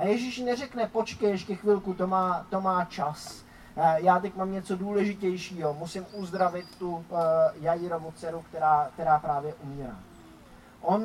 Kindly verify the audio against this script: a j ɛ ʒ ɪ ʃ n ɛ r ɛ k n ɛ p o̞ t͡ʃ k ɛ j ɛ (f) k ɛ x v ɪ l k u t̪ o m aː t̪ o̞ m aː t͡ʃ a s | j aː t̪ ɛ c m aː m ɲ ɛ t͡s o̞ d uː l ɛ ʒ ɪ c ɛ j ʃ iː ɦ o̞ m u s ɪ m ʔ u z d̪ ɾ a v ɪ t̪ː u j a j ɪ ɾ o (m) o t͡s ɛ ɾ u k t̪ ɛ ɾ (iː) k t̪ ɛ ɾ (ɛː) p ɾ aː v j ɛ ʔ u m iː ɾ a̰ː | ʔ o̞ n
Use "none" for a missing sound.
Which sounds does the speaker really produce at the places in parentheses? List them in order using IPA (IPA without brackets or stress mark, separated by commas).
ʃ, m, aː, aː